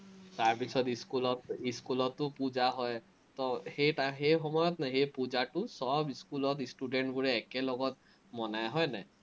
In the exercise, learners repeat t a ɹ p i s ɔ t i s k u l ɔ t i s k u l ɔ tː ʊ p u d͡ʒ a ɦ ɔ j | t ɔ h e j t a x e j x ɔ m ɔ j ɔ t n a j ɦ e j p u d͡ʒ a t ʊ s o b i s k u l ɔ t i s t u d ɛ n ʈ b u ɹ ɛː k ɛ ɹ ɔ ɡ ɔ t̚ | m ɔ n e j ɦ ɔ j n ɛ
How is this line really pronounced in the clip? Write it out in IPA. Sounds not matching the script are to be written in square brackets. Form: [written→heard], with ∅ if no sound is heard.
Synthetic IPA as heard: t a ɹ p i s ɔ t i s k u l ɔ t i s k u l ɔ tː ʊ p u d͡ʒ a ɦ ɔ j | t ɔ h e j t a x e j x ɔ m ɔ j ɔ t n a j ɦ e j p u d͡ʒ a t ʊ s [o→ɔ] b i s k u l ɔ t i s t u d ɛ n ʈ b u ɹ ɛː k ɛ [ɹ→l] ɔ ɡ ɔ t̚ | m ɔ n [e→a] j ɦ ɔ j n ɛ